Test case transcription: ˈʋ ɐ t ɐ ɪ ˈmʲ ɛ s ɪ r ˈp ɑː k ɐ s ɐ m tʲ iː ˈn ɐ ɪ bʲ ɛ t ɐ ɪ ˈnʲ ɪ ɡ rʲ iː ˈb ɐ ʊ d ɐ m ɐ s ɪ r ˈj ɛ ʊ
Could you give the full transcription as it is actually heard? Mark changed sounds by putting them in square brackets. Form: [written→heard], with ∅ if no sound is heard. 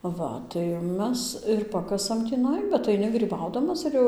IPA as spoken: ˈʋ ɐ t ɐ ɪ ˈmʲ ɛ s ɪ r ˈp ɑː k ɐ s ɐ m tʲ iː ˈn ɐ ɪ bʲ ɛ t ɐ ɪ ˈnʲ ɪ ɡ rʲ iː ˈb ɐ ʊ d ɐ m ɐ s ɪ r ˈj ɛ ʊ